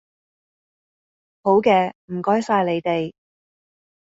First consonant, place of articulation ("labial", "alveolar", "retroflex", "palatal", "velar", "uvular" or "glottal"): glottal